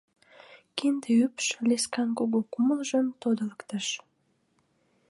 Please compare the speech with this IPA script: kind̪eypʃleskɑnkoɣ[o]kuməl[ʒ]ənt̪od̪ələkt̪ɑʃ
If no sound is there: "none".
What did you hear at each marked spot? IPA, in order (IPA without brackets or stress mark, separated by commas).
o, ʒ